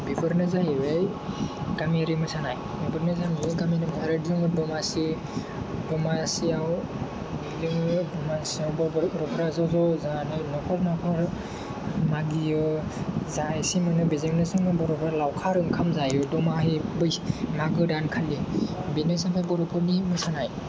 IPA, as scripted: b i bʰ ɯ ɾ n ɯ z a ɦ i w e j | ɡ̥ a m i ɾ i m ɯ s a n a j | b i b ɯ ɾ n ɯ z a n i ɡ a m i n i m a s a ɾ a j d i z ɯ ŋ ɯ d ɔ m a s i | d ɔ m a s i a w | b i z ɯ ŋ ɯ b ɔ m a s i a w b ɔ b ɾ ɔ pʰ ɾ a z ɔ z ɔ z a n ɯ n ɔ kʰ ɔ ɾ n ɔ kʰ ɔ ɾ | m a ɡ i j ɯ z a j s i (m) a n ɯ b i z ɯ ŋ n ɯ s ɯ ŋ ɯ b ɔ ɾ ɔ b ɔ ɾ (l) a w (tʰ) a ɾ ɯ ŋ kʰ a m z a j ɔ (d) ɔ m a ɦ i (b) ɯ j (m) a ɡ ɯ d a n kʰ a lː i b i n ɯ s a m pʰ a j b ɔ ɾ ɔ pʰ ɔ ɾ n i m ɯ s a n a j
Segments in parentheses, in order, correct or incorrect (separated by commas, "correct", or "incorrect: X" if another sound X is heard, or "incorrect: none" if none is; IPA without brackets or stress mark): correct, correct, incorrect: kʰ, correct, correct, correct